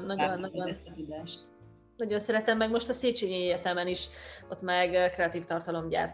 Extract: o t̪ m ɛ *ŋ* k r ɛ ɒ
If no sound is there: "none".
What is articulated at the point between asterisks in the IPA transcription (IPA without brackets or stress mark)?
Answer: ɡ